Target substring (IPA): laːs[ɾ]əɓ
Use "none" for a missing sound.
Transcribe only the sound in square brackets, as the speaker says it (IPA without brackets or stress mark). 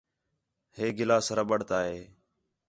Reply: ɾ